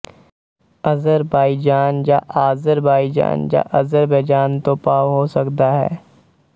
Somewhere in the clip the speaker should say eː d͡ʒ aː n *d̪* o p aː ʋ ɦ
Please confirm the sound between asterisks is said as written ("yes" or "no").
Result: no